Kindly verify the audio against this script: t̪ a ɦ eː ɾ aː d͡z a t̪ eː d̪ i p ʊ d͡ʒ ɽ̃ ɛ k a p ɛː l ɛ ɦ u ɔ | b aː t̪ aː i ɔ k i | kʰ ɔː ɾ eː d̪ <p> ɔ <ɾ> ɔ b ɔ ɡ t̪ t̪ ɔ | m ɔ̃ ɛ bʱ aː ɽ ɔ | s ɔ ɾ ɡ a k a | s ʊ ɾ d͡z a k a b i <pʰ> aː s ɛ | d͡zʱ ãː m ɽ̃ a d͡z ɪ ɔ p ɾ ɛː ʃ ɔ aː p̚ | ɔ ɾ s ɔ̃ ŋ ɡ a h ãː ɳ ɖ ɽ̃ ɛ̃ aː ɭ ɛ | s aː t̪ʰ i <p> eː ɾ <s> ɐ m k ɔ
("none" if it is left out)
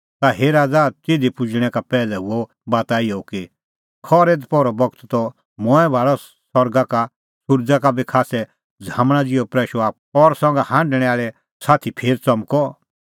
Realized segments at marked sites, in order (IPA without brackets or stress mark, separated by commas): p, ɾ, kʰ, pʰ, t͡s